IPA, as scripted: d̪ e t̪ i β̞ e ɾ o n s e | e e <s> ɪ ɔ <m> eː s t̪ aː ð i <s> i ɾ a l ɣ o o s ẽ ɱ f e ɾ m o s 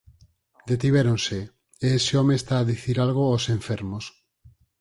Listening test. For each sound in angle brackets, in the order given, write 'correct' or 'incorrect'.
correct, correct, incorrect: θ

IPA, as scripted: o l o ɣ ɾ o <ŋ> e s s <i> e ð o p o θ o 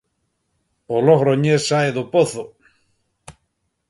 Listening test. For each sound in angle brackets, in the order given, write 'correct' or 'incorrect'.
incorrect: ɲ, incorrect: a

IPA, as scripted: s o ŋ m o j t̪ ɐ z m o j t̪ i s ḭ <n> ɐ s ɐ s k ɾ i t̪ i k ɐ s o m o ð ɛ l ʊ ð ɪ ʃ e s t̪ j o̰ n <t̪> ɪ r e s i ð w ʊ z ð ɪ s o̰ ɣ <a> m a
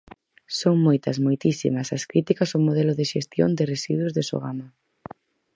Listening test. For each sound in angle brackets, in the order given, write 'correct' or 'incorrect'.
incorrect: m, incorrect: d̪, correct

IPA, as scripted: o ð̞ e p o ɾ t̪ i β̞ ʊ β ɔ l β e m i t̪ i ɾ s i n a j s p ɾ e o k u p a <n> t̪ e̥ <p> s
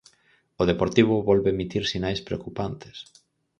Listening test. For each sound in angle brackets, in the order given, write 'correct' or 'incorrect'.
correct, incorrect: none

